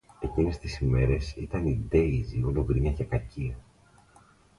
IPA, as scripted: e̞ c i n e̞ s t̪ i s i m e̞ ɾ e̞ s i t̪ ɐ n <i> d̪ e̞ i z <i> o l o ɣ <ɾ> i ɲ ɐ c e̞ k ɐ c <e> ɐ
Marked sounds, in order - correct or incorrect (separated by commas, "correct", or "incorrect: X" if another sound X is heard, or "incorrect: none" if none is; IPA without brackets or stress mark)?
correct, correct, correct, incorrect: i